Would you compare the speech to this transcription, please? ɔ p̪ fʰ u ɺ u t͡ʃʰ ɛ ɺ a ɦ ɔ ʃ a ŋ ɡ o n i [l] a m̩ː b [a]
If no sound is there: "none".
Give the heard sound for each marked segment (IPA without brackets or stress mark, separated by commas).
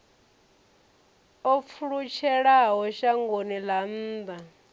l, a